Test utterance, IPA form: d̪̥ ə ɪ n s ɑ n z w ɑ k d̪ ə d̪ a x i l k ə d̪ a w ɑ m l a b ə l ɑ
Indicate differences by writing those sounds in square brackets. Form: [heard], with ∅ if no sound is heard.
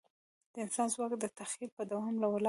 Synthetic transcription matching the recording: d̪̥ ə ɪ n s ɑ n z w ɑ k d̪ ə [t̪] a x i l [p] ə d̪ a w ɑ m l a [w] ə l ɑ